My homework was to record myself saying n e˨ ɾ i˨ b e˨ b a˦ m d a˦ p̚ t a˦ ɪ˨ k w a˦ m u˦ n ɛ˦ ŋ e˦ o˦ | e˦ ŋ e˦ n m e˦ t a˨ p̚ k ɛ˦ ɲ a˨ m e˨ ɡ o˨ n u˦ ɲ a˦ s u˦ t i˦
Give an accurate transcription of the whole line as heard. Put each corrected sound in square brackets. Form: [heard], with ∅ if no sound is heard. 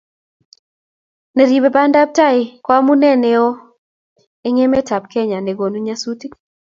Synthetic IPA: n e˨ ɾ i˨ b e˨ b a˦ [n] d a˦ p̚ t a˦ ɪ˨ k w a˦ m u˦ n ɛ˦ [n] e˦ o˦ | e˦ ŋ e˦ [∅] m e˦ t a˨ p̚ k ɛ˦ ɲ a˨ [n] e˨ ɡ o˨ n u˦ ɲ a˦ s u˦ t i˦